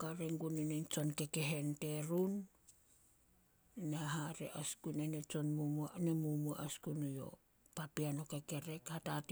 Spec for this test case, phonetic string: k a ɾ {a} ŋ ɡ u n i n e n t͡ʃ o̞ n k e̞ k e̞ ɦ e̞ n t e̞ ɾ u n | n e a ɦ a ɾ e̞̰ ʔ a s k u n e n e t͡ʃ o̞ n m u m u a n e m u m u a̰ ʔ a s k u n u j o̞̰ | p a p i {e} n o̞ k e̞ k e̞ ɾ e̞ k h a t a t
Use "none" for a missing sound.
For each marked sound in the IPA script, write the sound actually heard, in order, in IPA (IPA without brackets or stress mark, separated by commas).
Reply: e, a